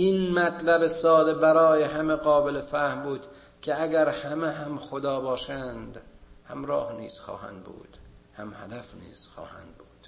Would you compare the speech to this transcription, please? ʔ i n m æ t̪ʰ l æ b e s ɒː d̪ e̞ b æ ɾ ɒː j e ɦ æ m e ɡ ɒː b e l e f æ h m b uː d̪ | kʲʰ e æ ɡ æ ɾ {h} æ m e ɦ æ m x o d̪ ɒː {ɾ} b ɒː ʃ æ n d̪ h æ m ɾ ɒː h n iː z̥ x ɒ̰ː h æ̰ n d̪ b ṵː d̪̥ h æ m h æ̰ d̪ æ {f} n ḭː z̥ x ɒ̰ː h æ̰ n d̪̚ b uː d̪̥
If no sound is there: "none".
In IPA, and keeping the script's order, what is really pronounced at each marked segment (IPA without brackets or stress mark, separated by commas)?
h, none, f